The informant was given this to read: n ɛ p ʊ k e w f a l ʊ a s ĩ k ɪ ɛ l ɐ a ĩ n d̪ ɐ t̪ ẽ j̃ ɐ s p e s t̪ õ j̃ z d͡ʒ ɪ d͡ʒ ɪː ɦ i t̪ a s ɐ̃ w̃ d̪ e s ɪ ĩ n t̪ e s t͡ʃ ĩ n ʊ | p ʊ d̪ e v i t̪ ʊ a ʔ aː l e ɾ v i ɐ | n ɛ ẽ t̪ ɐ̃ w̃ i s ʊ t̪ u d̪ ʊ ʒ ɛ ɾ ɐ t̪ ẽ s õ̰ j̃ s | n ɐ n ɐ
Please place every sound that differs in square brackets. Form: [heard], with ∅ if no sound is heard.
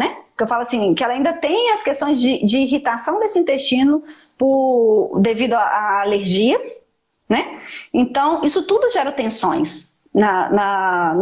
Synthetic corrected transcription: n ɛ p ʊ k e w f a l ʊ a s ĩ k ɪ ɛ l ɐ a ĩ n d̪ ɐ t̪ ẽ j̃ ɐ s [k] e s t̪ õ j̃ z d͡ʒ ɪ d͡ʒ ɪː ɦ i t̪ a s ɐ̃ w̃ d̪ e s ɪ ĩ n t̪ e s t͡ʃ ĩ n ʊ | p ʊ d̪ e v i [d̪] ʊ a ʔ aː l e ɾ [ʒ] i ɐ | n ɛ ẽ t̪ ɐ̃ w̃ i s ʊ t̪ u d̪ ʊ ʒ ɛ ɾ ɐ t̪ ẽ s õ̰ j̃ s | n ɐ n ɐ